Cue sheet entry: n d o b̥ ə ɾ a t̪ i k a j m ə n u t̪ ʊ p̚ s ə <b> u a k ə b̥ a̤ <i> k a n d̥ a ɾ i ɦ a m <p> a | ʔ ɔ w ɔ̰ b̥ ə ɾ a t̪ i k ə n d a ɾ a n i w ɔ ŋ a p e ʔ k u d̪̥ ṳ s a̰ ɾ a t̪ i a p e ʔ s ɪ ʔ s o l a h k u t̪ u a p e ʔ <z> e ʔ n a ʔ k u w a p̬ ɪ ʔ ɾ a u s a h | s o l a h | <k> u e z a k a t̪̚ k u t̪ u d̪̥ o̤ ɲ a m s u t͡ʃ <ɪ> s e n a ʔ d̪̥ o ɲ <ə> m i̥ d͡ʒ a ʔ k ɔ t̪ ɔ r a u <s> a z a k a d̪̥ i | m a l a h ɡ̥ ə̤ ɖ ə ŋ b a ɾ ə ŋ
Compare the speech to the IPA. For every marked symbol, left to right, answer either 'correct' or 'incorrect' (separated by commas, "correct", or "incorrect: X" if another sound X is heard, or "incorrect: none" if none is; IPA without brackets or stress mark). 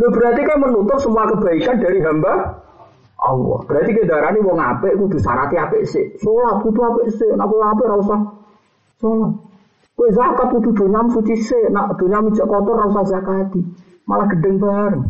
incorrect: m, correct, incorrect: b, incorrect: s, correct, incorrect: i, incorrect: a, correct